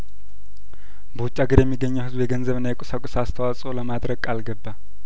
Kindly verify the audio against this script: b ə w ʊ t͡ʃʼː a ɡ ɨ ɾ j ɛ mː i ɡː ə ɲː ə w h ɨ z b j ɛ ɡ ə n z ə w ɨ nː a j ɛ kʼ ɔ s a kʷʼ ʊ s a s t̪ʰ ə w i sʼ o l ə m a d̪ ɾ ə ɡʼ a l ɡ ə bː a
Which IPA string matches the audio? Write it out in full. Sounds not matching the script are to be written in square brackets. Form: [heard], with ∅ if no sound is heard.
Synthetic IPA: b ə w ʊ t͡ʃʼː a ɡ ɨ ɾ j ɛ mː i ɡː ə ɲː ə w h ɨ z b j ɛ ɡ ə n z ə [β] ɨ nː a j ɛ kʼ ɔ s a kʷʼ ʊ s a s t̪ʰ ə w [a] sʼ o l ə m a d̪ ɾ ə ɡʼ a l ɡ ə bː a